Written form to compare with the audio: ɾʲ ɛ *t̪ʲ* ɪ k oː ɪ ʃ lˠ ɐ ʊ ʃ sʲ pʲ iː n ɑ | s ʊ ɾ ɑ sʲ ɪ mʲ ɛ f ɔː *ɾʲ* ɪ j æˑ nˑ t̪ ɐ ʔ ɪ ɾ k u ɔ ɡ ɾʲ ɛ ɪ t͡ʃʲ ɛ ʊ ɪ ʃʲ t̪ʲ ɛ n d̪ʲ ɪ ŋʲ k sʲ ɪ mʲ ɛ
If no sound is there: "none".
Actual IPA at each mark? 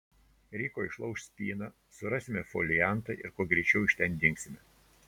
none, lʲ

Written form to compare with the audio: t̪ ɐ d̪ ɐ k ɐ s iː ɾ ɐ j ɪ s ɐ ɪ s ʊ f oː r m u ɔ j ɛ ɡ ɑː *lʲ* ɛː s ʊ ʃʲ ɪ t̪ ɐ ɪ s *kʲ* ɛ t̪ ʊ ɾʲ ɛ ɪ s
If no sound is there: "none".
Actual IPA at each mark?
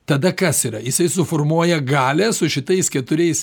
lʲ, kʲ

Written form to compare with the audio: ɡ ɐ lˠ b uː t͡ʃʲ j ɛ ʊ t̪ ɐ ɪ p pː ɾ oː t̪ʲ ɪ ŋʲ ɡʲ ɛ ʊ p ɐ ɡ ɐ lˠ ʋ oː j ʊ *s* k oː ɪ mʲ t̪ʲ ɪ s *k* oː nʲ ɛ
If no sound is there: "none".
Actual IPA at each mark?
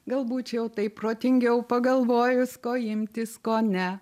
s, k

